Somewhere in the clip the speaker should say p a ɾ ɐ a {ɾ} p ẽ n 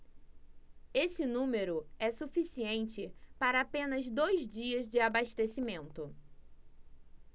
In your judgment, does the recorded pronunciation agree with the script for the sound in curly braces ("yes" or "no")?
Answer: no